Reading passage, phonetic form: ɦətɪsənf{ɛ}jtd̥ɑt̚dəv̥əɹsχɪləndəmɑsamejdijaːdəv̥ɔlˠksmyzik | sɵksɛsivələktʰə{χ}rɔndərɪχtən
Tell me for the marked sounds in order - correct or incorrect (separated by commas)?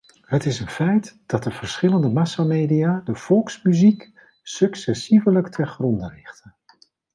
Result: correct, correct